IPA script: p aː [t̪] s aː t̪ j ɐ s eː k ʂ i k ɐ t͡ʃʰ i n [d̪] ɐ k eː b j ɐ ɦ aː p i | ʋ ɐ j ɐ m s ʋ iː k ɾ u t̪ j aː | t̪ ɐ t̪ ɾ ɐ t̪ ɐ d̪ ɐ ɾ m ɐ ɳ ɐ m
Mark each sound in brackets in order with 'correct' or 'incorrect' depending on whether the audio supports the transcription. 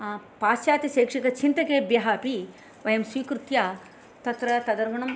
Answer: incorrect, incorrect

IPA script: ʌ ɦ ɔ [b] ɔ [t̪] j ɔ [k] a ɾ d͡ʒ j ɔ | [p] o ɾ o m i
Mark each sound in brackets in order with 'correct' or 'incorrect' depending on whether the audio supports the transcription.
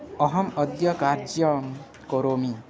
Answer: incorrect, incorrect, correct, incorrect

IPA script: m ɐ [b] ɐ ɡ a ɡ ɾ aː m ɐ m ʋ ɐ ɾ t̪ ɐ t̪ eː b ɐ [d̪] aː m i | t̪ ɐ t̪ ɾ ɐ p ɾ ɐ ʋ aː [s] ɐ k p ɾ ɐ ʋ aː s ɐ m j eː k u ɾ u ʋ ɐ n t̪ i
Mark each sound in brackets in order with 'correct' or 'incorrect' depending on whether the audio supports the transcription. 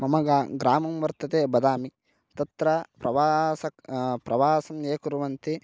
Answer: incorrect, correct, correct

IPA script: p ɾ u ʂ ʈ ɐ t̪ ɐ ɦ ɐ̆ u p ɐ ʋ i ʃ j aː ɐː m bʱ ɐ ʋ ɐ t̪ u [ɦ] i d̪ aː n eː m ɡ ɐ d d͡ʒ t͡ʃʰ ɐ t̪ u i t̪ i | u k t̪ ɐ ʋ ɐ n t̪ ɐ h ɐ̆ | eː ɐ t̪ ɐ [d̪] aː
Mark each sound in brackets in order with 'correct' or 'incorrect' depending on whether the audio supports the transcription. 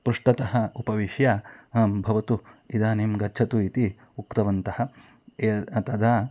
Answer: incorrect, correct

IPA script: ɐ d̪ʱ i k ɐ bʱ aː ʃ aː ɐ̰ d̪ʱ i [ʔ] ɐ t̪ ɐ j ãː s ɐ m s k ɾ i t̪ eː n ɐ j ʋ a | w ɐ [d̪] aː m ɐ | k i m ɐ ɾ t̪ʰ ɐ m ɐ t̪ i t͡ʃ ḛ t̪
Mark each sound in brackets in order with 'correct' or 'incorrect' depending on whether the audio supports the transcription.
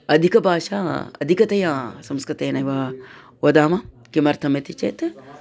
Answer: incorrect, correct

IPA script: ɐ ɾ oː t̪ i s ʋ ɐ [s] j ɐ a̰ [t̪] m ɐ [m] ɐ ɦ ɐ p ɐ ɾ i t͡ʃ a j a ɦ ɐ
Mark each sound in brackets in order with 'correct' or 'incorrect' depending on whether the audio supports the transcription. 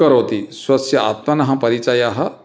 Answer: correct, correct, incorrect

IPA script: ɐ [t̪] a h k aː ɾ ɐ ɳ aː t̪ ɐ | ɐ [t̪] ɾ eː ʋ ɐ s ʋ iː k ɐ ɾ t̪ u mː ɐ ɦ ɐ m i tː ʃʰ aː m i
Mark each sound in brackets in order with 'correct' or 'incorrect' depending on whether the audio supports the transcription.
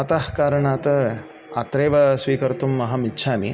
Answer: correct, correct

